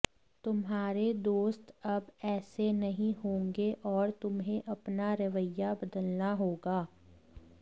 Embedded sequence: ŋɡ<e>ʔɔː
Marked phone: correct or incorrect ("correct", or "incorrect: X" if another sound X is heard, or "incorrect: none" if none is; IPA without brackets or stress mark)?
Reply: correct